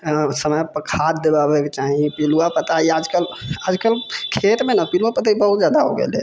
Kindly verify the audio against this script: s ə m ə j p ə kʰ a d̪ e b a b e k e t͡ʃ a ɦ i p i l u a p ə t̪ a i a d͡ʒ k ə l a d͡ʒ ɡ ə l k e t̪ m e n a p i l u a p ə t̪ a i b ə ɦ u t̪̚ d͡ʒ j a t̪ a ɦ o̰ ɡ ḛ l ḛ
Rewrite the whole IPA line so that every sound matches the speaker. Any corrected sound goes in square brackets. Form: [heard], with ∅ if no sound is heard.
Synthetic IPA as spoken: s ə m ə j p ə kʰ a d̪ e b a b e k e t͡ʃ a ɦ i p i l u a p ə t̪ a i a d͡ʒ k ə l a d͡ʒ [k] ə l [kʰ] e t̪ m e n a p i l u a p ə t̪ a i b ə ɦ u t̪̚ d͡ʒ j a [d̪] a ɦ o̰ ɡ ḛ l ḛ